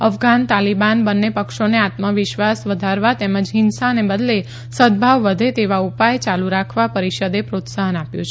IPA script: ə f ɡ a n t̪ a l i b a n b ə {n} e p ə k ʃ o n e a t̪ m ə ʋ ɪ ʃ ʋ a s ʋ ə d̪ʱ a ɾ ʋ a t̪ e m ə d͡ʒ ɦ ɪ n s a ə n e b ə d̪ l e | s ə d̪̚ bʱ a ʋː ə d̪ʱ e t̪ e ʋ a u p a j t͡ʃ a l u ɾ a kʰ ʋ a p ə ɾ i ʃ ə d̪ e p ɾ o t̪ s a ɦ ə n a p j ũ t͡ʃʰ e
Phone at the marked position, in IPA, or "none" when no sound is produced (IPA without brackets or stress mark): nː